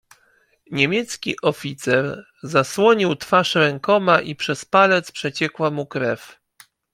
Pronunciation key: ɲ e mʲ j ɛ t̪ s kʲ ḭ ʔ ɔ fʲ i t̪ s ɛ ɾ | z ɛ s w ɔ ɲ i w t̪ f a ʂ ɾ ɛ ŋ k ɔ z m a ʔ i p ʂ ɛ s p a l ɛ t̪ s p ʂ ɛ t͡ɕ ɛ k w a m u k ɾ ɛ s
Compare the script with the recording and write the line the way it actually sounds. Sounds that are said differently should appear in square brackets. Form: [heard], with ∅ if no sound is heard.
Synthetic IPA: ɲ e mʲ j ɛ t̪ s kʲ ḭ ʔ ɔ fʲ i t̪ s ɛ ɾ | z [a] s w ɔ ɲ i w t̪ f a ʂ ɾ ɛ ŋ k ɔ [∅] m a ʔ i p ʂ ɛ s p a l ɛ t̪ s p ʂ ɛ t͡ɕ ɛ k w a m u k ɾ ɛ [f]